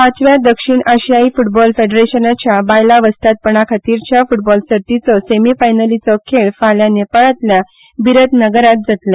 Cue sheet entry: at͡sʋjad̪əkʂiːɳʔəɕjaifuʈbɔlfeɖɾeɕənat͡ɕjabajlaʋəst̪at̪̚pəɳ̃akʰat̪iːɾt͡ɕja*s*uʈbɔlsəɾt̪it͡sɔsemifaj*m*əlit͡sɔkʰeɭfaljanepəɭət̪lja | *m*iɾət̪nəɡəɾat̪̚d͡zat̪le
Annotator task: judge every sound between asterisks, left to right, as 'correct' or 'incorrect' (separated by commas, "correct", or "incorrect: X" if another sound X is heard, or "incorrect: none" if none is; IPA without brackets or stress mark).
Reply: incorrect: f, incorrect: n, incorrect: b